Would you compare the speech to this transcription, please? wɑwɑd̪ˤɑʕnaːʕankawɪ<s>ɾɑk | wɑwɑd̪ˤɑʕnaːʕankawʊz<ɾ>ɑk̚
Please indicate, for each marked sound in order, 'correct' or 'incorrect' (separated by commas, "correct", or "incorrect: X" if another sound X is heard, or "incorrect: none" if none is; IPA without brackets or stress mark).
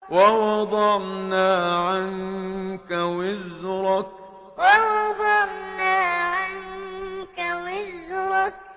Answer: incorrect: z, correct